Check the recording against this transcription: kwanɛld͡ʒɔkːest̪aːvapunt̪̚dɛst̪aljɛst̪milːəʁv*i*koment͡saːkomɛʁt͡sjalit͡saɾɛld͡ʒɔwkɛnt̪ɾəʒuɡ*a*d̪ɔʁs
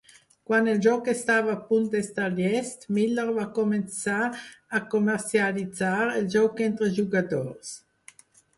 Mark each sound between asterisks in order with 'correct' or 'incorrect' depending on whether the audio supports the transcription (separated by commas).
incorrect, correct